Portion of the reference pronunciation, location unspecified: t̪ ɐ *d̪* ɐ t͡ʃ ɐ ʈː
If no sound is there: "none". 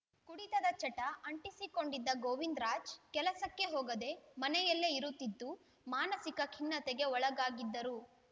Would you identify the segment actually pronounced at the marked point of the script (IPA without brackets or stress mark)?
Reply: d̪